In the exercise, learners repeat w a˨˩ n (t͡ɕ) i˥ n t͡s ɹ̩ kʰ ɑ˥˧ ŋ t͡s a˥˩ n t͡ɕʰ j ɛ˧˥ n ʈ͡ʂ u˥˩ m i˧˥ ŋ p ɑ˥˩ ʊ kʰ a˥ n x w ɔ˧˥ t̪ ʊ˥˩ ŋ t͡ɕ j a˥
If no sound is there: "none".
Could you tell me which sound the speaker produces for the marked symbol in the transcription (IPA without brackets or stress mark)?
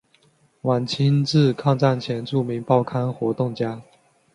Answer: t͡ɕʰ